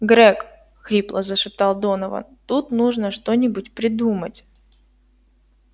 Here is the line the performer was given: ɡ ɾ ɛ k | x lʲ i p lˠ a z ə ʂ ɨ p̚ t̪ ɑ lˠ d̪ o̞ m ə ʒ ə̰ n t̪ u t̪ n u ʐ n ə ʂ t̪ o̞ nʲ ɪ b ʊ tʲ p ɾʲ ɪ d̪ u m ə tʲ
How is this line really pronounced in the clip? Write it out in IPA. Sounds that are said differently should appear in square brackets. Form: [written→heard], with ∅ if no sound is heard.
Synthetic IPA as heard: ɡ ɾ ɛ k | x [lʲ→ɾʲ] i p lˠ [a→ə] z ə ʂ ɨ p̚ t̪ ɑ lˠ d̪ o̞ [m→n] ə [ʒ→v] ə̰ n t̪ u t̪ n u ʐ n ə ʂ t̪ o̞ nʲ ɪ b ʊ tʲ p ɾʲ ɪ d̪ u m ə tʲ

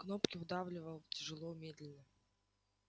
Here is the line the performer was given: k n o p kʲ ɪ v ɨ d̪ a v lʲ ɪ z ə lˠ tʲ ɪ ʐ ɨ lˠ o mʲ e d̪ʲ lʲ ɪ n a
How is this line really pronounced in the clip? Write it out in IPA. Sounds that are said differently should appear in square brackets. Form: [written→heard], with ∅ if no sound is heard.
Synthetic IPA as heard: k n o p kʲ ɪ v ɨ d̪ a v lʲ ɪ [z→v] ə lˠ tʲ ɪ ʐ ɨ lˠ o mʲ e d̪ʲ lʲ ɪ n [a→ə]

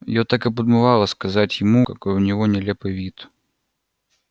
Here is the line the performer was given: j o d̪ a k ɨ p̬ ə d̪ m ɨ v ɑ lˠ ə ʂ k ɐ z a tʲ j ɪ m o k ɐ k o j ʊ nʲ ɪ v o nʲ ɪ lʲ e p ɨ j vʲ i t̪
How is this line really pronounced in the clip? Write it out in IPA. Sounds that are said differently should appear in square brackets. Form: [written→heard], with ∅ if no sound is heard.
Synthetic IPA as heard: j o [d̪→t̪] a k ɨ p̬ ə d̪ m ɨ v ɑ lˠ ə [ʂ→s] k ɐ z a tʲ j ɪ m [o→u] k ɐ k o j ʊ nʲ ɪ v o nʲ ɪ lʲ e p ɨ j vʲ i t̪

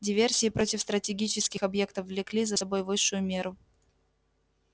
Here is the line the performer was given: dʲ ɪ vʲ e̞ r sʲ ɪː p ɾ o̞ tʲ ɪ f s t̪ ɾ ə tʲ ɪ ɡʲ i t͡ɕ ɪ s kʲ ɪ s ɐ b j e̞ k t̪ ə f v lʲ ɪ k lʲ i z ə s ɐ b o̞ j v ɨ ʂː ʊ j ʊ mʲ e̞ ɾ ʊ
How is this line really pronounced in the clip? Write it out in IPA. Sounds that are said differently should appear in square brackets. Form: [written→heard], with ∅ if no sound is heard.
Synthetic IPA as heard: dʲ ɪ vʲ e̞ r sʲ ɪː p ɾ o̞ tʲ ɪ f s t̪ ɾ ə tʲ ɪ ɡʲ i t͡ɕ ɪ s kʲ ɪ [s→x] ɐ b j e̞ k t̪ ə f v lʲ ɪ k lʲ i z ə s ɐ b o̞ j v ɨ ʂː ʊ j ʊ mʲ e̞ ɾ ʊ

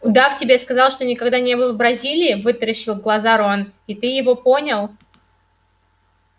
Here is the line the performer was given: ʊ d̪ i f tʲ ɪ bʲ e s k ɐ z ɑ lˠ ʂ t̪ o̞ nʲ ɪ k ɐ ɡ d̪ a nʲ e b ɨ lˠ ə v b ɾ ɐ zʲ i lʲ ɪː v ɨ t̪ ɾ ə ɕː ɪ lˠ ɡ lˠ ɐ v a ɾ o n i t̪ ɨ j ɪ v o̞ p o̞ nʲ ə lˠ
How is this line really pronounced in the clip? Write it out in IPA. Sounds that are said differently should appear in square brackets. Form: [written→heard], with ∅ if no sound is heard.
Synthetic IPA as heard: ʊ d̪ [i→a] f tʲ ɪ bʲ e s k ɐ z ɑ lˠ ʂ t̪ o̞ nʲ ɪ k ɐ ɡ d̪ a nʲ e b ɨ lˠ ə v b ɾ ɐ zʲ i lʲ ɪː v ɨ t̪ ɾ ə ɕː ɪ lˠ ɡ lˠ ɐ [v→z] a ɾ o n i t̪ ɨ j ɪ v o̞ p o̞ nʲ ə lˠ

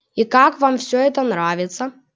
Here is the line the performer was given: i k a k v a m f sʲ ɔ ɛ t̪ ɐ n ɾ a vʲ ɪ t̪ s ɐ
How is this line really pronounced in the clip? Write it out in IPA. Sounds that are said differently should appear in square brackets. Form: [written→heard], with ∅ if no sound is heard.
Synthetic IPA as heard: i k a k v a m f sʲ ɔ ɛ t̪ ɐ n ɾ a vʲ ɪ t̪ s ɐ

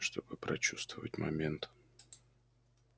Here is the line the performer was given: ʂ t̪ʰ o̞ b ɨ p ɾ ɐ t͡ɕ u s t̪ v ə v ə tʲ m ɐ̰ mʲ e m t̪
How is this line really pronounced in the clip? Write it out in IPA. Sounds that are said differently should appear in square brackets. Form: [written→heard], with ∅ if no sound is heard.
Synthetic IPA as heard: ʂ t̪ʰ o̞ b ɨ p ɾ ɐ t͡ɕ u s t̪ v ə v ə tʲ m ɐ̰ mʲ e [m→n] t̪

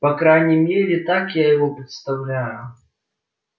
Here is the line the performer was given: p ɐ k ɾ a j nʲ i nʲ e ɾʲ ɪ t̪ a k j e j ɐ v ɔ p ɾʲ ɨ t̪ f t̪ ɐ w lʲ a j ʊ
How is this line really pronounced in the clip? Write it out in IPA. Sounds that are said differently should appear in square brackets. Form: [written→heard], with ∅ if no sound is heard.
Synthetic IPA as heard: p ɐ k ɾ a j nʲ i [nʲ→mʲ] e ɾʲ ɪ t̪ a k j [e→a] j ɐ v ɔ p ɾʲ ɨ t̪ [f→s] t̪ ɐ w lʲ a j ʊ

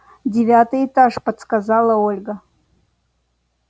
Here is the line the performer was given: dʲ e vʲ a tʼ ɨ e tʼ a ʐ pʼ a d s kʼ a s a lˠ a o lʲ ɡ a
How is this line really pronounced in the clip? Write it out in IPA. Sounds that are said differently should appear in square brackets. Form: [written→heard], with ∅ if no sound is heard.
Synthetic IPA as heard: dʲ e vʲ a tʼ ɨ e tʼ a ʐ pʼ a d s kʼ a [s→z] a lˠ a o lʲ ɡ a

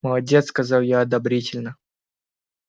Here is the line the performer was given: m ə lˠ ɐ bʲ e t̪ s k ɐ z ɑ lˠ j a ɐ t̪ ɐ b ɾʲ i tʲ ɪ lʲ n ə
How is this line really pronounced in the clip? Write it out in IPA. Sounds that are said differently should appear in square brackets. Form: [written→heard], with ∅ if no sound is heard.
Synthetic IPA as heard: m ə lˠ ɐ [bʲ→dʲ] e t̪ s k ɐ z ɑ lˠ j a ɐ [t̪→d̪] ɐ b ɾʲ i tʲ ɪ lʲ n ə

